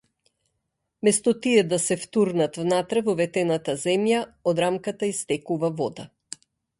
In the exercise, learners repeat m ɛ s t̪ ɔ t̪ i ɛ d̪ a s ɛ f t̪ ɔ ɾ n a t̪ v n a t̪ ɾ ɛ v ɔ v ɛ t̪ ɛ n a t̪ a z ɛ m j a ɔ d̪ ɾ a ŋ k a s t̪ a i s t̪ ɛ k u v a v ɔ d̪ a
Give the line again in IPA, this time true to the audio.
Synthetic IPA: m ɛ s t̪ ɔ t̪ i ɛ d̪ a s ɛ f t̪ u ɾ n a t̪ v n a t̪ ɾ ɛ v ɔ v ɛ t̪ ɛ n a t̪ a z ɛ m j a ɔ d̪ ɾ a m k a t̪ a i s t̪ ɛ k u v a v ɔ d̪ a